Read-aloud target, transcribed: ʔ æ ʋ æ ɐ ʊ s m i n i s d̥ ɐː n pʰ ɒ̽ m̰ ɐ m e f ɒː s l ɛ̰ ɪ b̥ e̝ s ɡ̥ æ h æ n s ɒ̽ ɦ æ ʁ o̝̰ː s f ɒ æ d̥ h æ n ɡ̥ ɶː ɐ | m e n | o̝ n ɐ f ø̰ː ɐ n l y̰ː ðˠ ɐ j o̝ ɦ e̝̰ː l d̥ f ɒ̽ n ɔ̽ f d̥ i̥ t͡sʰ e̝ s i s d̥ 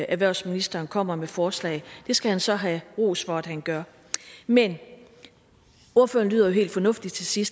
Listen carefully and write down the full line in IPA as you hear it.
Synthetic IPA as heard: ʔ æ ʋ æ ɐ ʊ s m i n i s d̥ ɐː n kʰ ɒ̽ m̰ ɐ m e f ɒː s l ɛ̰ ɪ d̥ e̝ s ɡ̥ æ h æ n s ɒ̽ ɦ æ ʁ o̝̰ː s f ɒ æ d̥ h æ n ɡ̥ ɶ ɐ | m e n | o̝ ɐ f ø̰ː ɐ n l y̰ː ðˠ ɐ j o̝ ɦ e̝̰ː l d̥ f ɒ̽ n ɔ̽ f d̥ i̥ t͡sʰ e̝ s i s d̥